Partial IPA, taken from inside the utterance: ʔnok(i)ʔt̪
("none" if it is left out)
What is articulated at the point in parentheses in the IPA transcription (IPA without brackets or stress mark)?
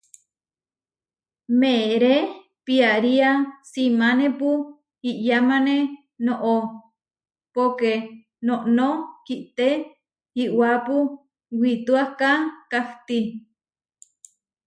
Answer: i